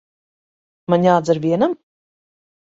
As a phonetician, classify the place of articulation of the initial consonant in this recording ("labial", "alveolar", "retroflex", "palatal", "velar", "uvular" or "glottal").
labial